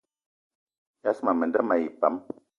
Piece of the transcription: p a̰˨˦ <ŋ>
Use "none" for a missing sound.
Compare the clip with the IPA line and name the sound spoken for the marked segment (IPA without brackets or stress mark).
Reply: m